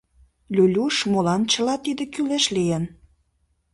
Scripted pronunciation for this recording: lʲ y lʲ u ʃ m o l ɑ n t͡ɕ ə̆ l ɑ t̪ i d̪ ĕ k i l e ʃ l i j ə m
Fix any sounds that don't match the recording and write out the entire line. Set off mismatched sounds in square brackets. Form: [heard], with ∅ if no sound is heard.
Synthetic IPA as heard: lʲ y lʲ u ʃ m o l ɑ n t͡ɕ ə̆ l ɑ t̪ i d̪ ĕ k [y] l e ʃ l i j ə [n]